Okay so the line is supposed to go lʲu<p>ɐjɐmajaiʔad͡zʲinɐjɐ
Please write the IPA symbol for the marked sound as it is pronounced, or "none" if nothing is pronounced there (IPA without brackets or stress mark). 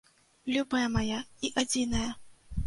b